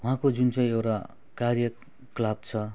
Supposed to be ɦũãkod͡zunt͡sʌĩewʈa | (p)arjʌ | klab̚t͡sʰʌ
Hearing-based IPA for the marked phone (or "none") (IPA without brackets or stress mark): k